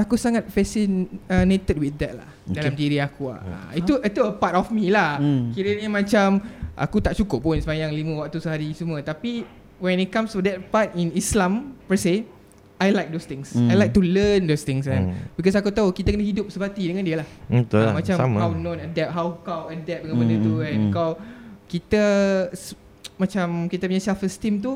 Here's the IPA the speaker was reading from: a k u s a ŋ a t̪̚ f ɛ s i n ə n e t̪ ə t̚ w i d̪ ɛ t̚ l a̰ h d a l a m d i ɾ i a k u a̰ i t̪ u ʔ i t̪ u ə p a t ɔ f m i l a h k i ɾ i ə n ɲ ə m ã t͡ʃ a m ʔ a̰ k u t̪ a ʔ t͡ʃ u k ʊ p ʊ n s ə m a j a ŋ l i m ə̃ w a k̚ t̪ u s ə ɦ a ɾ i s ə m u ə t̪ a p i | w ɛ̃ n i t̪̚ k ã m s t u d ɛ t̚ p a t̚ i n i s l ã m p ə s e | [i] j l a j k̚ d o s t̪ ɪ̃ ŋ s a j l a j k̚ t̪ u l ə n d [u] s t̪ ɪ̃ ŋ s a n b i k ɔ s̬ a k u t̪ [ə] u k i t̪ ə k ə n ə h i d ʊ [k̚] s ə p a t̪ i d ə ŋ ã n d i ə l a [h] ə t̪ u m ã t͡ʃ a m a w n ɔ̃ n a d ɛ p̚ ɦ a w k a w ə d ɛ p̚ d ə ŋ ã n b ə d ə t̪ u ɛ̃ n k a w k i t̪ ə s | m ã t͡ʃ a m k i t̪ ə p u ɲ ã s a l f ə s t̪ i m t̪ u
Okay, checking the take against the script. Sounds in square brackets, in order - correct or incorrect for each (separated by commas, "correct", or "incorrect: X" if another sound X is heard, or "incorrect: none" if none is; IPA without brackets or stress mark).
incorrect: a, incorrect: o, incorrect: a, incorrect: p̚, correct